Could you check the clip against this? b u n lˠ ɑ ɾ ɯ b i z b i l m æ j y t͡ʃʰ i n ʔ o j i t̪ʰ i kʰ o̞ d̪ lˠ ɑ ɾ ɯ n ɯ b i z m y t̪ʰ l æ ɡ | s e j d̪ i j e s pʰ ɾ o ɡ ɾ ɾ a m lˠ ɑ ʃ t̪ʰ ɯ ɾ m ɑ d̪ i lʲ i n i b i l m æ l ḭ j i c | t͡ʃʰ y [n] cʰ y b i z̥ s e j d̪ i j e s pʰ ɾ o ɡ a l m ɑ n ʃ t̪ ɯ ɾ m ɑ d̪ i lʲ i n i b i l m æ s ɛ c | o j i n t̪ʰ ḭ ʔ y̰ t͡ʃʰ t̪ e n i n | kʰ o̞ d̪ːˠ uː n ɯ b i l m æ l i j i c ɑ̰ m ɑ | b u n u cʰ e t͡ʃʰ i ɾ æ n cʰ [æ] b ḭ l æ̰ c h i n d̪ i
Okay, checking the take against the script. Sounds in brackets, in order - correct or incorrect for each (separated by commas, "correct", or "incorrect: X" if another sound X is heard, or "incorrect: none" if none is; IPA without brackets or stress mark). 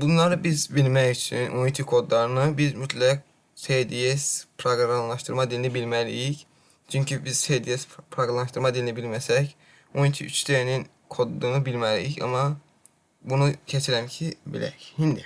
incorrect: ɲ, incorrect: i